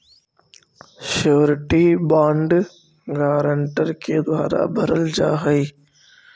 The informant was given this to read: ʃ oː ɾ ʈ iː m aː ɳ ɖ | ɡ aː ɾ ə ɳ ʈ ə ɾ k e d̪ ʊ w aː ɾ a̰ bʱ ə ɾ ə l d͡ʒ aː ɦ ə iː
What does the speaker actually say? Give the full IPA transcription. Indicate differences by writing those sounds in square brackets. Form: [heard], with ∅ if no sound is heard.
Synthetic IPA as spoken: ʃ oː ɾ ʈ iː [b] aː ɳ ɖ | ɡ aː ɾ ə ɳ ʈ ə ɾ k e d̪ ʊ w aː ɾ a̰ bʱ ə ɾ ə l d͡ʒ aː ɦ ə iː